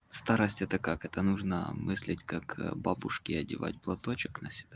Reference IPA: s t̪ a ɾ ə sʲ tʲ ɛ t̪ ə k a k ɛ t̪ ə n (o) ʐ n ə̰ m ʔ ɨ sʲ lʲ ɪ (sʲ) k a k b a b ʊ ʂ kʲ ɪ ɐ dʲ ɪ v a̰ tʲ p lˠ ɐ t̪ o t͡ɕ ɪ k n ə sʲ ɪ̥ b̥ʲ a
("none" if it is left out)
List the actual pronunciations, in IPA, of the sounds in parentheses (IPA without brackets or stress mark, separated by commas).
u, tʲ